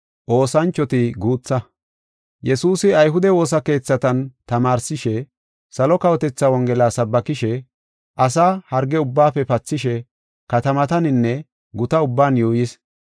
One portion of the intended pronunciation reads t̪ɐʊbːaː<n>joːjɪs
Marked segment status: correct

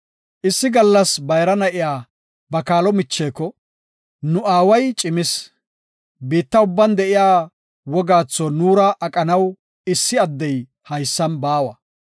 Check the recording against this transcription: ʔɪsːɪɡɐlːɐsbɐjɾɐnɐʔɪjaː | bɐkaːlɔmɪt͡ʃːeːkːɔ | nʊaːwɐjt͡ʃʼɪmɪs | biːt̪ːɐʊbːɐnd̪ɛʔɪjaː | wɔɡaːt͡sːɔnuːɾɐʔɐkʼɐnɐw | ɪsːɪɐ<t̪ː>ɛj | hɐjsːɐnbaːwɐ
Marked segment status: incorrect: d̪ː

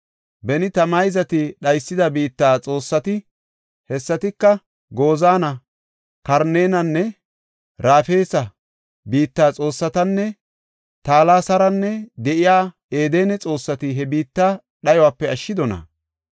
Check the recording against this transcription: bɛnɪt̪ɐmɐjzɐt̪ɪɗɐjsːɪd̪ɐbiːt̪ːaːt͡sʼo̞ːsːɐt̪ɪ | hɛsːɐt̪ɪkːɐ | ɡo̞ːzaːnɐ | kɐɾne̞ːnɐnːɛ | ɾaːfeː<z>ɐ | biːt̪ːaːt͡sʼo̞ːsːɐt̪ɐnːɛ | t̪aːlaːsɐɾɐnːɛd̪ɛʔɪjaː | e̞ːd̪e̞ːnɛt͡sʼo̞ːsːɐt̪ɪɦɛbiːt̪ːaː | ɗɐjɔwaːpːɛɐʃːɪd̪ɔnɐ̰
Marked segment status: incorrect: s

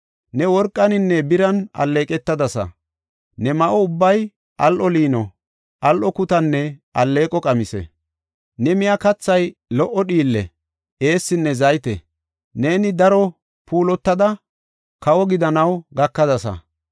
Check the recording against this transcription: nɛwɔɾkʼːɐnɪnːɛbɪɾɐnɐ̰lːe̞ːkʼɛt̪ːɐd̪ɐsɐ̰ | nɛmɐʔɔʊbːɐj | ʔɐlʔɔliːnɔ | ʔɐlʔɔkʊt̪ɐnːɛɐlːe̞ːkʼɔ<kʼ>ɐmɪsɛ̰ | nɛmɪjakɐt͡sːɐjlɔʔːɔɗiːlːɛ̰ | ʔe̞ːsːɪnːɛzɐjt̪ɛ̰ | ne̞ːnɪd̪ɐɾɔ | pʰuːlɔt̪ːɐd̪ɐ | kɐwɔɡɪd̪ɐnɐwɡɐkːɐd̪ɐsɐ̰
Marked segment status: correct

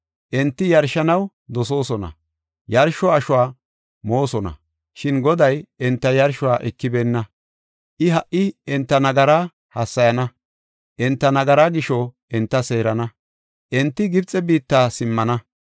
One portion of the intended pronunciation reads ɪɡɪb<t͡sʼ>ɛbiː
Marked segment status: correct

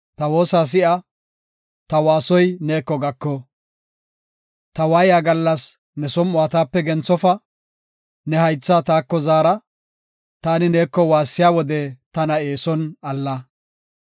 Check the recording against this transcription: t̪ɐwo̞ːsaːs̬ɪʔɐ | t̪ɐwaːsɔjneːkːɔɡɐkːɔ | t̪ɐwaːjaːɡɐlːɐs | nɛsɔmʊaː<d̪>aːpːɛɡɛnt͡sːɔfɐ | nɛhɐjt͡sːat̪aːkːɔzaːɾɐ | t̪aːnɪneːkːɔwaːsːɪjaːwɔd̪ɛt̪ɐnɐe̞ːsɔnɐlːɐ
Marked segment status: incorrect: t̪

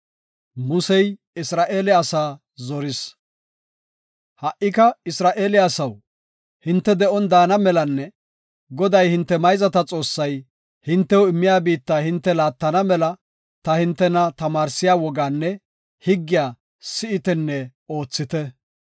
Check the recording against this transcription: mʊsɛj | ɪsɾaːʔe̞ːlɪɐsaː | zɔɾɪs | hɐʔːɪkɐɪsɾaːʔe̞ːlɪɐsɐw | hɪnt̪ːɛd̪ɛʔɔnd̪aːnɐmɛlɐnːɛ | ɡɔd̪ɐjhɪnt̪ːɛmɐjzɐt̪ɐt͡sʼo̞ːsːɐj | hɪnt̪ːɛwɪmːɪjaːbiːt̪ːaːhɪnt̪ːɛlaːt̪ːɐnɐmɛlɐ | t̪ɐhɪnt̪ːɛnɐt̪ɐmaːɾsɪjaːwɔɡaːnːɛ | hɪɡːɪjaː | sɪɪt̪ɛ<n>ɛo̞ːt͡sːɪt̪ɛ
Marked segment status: incorrect: nː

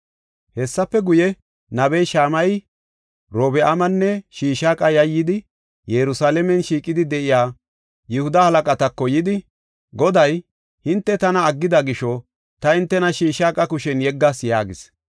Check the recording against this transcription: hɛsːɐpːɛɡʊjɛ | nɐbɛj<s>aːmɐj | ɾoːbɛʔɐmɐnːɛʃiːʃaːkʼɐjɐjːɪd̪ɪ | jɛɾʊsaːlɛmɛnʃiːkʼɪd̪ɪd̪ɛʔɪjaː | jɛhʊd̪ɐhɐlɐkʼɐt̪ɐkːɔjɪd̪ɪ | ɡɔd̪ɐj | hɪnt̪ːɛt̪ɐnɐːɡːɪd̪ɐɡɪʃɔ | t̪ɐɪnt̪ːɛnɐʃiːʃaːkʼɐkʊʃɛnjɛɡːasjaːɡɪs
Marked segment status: incorrect: ʃ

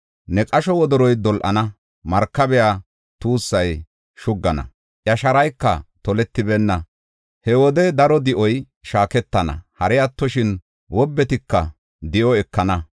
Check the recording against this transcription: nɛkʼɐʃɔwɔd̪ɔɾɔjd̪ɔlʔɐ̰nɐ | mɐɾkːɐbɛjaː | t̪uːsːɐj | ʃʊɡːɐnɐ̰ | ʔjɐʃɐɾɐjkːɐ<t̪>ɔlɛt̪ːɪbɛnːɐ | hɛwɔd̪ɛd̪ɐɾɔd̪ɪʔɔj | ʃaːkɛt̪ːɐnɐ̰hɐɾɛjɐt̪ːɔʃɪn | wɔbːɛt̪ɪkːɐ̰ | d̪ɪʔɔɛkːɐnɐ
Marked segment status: correct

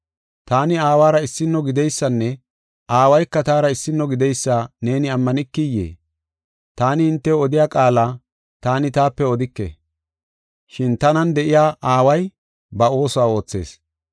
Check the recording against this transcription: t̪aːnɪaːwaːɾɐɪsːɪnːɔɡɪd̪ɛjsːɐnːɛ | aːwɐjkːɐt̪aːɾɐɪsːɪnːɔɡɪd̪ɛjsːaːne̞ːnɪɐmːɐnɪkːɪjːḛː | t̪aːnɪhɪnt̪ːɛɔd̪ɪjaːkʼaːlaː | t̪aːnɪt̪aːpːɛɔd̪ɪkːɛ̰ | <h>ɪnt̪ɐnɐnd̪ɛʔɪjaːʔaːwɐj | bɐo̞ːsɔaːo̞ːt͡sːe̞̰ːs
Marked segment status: incorrect: ʃ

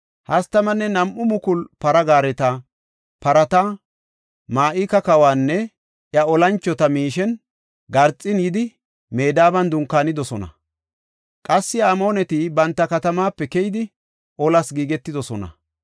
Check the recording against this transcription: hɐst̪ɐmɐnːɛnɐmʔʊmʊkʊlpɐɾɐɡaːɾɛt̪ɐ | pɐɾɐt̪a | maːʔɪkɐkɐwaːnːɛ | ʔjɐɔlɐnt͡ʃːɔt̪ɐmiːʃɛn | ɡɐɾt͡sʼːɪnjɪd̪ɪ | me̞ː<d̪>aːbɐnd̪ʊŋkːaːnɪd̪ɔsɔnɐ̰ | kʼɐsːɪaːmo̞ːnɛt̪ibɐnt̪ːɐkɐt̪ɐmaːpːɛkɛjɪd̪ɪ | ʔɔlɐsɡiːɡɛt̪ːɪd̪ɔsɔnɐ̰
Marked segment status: correct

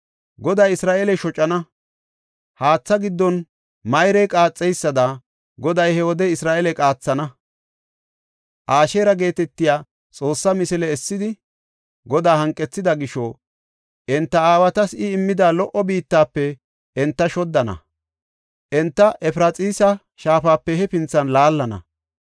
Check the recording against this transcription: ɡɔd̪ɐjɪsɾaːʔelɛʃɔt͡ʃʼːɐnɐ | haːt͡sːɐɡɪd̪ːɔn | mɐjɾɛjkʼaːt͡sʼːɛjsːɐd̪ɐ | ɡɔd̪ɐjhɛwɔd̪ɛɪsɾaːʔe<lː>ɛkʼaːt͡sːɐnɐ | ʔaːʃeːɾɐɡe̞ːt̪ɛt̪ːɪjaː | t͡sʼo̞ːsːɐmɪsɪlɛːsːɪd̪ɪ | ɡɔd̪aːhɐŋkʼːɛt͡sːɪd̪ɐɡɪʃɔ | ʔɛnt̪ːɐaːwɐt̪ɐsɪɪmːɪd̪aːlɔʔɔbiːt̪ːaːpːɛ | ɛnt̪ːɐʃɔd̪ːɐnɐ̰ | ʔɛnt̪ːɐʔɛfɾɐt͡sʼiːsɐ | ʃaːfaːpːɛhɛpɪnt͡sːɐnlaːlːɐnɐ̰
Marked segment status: incorrect: l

